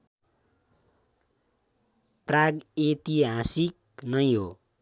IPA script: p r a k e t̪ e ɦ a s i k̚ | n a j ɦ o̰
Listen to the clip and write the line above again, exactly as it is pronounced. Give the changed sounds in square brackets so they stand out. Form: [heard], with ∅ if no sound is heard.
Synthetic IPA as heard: p r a [ɡ] e t̪ [i] ɦ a s i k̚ | n [ʌ] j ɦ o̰